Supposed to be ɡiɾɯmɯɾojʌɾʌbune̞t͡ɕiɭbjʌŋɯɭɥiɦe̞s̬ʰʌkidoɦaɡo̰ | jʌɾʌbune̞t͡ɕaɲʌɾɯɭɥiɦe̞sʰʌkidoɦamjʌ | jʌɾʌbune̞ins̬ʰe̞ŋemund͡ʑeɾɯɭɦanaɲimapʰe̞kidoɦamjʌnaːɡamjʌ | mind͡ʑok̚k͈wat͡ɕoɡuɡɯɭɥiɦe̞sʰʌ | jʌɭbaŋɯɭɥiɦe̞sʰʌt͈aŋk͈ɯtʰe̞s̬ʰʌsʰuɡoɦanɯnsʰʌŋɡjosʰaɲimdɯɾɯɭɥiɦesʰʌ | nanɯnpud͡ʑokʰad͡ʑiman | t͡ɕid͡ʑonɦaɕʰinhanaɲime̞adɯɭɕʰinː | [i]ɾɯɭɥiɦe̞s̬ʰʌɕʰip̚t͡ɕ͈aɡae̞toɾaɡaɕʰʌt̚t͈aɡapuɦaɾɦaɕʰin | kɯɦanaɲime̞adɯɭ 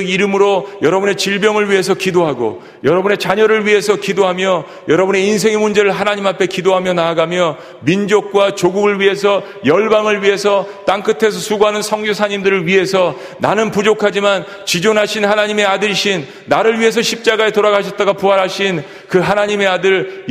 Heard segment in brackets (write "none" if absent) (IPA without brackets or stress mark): a